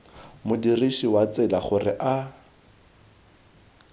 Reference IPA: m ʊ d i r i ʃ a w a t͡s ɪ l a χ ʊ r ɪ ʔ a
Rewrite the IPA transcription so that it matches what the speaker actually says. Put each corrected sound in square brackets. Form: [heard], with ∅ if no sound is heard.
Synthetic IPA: m ʊ d i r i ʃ [i] w a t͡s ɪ l a χ ʊ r ɪ ʔ a